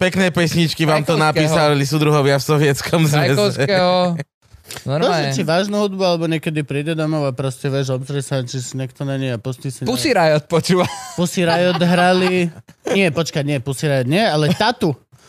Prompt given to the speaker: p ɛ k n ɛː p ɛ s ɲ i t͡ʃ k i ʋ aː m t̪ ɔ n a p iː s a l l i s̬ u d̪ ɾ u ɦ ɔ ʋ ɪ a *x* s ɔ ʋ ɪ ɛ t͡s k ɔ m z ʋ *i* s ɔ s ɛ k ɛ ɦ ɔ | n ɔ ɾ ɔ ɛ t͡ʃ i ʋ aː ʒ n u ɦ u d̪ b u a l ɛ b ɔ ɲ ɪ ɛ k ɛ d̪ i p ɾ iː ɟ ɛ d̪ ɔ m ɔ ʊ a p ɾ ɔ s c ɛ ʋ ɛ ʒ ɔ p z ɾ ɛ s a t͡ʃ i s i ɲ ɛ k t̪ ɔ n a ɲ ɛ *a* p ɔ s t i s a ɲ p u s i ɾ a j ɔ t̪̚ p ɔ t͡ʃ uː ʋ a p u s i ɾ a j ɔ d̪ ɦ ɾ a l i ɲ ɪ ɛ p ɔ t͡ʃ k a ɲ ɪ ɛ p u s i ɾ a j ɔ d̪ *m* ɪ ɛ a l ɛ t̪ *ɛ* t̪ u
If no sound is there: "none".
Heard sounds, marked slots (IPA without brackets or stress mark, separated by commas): f, ɛ, a, ɲ, a